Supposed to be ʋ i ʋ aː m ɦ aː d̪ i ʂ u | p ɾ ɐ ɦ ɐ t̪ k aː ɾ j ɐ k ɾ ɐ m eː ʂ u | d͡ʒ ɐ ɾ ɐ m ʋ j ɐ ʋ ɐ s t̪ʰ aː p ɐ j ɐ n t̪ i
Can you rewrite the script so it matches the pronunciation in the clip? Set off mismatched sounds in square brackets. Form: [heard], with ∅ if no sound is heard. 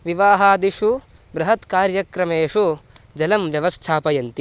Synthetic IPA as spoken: ʋ i ʋ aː [∅] ɦ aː d̪ i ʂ u | [b] ɾ ɐ ɦ ɐ t̪ k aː ɾ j ɐ k ɾ ɐ m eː ʂ u | d͡ʒ ɐ [l] ɐ m ʋ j ɐ ʋ ɐ s t̪ʰ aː p ɐ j ɐ n t̪ i